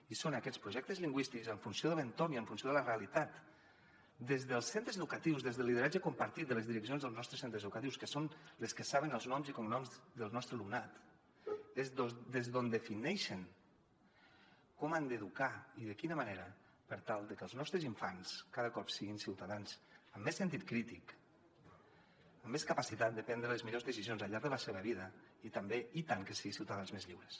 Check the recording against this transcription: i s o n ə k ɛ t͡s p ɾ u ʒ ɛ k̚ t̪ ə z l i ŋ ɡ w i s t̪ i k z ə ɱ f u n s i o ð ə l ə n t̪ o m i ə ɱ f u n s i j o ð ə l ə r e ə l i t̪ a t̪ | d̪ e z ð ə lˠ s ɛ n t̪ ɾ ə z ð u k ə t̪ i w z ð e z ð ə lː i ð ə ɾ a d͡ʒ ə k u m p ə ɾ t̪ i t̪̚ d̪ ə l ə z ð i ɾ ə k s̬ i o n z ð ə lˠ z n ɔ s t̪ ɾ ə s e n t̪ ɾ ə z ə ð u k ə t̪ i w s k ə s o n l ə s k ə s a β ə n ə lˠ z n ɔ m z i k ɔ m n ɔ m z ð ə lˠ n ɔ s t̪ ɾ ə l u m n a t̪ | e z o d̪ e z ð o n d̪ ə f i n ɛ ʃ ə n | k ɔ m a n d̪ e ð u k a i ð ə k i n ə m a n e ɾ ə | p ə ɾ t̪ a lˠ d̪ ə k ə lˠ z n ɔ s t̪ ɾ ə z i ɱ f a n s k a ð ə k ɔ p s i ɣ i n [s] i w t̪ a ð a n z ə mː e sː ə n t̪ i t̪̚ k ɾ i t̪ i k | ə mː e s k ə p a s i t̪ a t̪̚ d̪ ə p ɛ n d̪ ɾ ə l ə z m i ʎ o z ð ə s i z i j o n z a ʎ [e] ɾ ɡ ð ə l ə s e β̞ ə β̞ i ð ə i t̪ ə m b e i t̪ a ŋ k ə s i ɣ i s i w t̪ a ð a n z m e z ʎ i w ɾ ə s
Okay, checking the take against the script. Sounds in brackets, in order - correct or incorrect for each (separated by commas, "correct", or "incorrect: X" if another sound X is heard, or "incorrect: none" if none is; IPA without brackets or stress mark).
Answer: correct, incorrect: a